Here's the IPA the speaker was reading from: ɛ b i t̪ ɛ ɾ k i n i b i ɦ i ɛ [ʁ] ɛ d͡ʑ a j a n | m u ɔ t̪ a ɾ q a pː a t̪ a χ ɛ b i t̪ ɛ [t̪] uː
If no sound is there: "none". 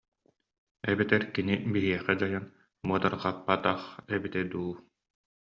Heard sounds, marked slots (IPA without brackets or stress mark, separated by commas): χ, d̪